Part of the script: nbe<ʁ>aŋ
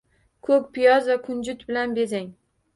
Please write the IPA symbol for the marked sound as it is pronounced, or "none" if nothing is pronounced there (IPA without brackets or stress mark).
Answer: z